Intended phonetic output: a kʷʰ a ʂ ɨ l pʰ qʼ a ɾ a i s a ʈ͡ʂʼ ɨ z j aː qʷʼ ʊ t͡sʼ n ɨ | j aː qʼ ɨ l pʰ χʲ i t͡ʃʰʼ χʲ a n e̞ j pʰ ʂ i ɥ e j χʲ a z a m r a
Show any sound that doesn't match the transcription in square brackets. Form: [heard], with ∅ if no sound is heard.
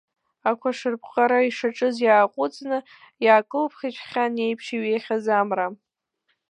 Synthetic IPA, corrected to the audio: a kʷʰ a ʂ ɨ [r] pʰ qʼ a ɾ a i [ʂ] a ʈ͡ʂʼ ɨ z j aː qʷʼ ʊ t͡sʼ n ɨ | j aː [kʼ] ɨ l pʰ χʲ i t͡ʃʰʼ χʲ a n e̞ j pʰ ʂ i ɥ e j χʲ a z a m r a